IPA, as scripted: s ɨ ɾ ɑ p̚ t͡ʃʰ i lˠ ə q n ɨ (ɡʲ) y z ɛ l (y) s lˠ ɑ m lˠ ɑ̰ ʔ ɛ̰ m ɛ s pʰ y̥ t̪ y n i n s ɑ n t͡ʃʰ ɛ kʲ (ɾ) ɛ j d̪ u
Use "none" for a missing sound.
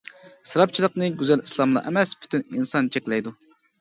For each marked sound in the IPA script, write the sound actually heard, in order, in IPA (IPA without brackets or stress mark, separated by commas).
ɡʲ, i, l